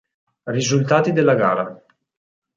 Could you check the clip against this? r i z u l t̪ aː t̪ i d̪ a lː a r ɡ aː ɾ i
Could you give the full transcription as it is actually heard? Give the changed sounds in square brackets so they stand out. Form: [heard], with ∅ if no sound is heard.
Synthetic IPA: r i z u l t̪ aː t̪ i d̪ [e] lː a [∅] ɡ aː ɾ [a]